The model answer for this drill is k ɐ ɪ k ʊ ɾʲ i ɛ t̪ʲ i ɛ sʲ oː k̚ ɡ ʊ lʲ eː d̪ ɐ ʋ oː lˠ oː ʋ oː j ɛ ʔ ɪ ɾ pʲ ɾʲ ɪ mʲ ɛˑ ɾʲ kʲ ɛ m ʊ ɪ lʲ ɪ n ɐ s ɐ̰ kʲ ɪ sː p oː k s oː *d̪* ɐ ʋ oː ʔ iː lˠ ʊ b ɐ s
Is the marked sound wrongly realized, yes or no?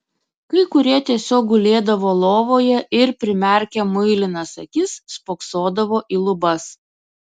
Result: no